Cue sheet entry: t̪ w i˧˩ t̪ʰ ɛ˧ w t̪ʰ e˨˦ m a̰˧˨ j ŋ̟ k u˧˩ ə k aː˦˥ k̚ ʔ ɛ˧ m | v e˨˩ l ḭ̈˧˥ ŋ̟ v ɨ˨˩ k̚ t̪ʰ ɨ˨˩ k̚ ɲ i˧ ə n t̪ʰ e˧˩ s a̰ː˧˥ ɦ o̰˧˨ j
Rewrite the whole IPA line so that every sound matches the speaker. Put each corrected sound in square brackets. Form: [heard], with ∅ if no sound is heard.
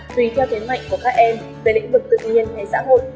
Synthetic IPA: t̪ w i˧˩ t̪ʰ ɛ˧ w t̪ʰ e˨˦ m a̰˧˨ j ŋ̟ k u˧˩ ə k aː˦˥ k̚ ʔ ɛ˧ m | v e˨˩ l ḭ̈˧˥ ŋ̟ v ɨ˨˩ k̚ [t̪] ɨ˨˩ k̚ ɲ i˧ ə n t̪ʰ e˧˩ s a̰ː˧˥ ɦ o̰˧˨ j